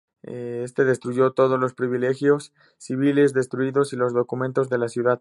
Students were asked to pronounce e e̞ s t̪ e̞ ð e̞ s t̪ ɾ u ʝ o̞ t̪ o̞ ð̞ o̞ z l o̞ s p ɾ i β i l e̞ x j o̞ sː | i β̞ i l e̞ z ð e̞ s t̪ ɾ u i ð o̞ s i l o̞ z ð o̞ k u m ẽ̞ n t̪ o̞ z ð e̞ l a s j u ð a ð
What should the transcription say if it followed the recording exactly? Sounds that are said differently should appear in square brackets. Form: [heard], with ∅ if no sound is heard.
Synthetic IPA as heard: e e̞ s t̪ e̞ ð e̞ s t̪ ɾ u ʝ o̞ t̪ o̞ ð̞ o̞ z l o̞ s p ɾ i β i l e̞ x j o̞ sː | i β̞ i l e̞ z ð e̞ s t̪ ɾ u i ð o̞ s i l o̞ z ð o̞ k u m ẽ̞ n t̪ o̞ z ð e̞ l a s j u ð a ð